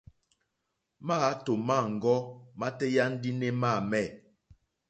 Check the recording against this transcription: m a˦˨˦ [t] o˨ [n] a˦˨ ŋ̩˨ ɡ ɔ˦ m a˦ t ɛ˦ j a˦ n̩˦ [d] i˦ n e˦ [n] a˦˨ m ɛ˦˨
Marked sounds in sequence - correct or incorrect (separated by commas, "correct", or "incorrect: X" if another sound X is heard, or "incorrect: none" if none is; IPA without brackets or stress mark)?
correct, incorrect: m, correct, incorrect: m